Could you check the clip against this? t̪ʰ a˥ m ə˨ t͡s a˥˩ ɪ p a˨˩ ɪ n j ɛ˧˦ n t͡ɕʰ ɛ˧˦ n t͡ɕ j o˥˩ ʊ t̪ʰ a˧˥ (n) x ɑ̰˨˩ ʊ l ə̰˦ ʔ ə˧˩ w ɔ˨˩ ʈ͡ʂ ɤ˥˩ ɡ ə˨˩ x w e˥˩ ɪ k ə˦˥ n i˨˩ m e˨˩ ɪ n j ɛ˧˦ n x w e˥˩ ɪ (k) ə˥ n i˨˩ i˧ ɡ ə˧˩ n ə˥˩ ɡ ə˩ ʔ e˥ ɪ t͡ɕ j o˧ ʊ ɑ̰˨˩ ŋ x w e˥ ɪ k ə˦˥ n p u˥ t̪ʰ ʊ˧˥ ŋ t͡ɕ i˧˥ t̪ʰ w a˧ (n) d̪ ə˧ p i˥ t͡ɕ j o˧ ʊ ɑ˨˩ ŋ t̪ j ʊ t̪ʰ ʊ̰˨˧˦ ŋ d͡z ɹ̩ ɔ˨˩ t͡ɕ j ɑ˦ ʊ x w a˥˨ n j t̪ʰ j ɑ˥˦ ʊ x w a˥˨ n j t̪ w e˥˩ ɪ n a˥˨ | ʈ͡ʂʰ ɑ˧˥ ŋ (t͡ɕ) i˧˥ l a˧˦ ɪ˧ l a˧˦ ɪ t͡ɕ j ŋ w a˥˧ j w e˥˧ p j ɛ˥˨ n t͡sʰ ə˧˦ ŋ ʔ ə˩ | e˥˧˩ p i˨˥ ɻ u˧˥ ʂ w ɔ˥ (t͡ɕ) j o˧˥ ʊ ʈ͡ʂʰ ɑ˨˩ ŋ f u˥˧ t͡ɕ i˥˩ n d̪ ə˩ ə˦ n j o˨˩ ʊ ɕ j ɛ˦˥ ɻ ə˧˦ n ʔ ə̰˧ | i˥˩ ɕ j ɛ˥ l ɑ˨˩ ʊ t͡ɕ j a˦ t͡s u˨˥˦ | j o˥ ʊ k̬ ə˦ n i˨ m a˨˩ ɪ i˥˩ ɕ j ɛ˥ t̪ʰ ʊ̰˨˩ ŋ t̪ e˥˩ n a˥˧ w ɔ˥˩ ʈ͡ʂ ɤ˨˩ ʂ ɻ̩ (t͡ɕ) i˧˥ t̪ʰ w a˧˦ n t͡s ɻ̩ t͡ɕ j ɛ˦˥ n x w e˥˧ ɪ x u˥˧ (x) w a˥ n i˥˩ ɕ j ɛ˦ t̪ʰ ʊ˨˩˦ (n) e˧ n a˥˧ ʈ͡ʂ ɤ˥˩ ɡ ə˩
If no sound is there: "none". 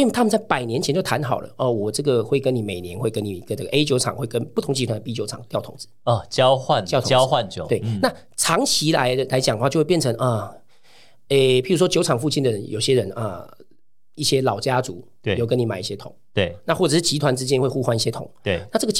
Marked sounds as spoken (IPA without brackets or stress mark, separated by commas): n, k, n, t͡ɕʰ, t͡ɕ, t͡ɕ, x, ŋ